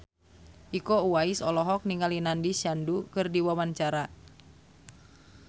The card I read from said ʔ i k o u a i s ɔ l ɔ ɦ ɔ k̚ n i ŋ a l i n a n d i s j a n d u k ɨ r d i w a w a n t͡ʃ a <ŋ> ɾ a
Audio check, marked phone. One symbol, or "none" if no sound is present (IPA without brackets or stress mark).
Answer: none